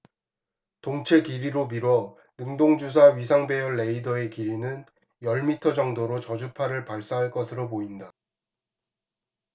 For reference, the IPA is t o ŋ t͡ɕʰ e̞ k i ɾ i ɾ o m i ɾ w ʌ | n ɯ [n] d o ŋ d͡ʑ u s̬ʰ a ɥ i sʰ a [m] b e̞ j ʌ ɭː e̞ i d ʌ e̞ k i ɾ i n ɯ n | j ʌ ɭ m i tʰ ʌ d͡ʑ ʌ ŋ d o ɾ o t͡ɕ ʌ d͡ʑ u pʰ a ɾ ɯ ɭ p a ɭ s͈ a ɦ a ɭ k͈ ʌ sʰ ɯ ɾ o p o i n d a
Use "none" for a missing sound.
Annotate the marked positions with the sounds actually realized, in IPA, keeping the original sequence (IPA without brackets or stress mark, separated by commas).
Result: ŋ, ŋ